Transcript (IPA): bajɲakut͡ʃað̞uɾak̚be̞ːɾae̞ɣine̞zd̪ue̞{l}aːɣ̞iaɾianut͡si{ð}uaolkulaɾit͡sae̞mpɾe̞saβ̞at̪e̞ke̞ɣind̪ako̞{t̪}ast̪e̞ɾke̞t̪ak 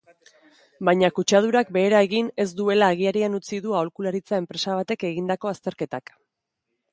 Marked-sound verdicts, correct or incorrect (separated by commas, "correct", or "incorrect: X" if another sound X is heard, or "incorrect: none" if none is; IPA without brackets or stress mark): correct, correct, incorrect: none